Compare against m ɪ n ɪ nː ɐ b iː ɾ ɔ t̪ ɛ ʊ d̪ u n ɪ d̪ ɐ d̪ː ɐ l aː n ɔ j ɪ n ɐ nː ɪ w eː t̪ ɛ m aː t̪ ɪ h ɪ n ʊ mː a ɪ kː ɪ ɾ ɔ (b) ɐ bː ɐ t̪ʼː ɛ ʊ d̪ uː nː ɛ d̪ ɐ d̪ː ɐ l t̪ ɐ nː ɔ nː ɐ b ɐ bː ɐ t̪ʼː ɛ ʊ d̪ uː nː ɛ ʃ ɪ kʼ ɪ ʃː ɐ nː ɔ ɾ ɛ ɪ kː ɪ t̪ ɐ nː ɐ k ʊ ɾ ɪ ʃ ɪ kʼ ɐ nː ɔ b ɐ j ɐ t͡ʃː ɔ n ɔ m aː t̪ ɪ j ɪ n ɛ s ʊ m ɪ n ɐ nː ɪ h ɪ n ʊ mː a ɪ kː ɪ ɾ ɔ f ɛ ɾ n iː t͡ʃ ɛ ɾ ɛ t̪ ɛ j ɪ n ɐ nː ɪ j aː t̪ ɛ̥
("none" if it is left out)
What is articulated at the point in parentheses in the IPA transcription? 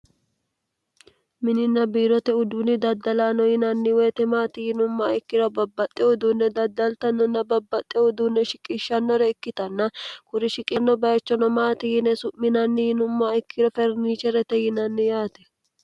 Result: b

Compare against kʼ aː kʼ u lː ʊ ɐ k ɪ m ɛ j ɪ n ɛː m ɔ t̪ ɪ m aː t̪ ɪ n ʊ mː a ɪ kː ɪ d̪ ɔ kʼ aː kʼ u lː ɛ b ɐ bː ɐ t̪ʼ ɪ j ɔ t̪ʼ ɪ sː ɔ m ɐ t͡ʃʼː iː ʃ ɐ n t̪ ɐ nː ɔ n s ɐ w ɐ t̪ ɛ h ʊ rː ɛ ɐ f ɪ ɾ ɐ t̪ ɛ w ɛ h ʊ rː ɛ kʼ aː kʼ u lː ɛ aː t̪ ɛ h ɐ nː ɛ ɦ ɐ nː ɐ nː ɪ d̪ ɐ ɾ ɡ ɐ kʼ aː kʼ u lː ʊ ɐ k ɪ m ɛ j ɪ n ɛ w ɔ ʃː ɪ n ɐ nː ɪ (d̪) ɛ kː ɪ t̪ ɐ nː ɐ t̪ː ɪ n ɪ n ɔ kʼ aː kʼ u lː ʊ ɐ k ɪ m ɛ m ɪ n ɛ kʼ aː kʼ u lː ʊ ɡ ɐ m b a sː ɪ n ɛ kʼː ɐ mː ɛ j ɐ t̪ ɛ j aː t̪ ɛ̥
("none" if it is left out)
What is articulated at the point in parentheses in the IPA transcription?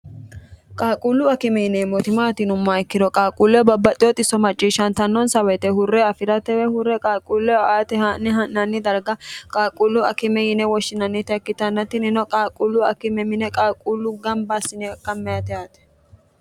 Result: t̪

